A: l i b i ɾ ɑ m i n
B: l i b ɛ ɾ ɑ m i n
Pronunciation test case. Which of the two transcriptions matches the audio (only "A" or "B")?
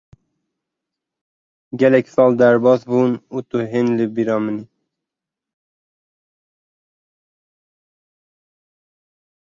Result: A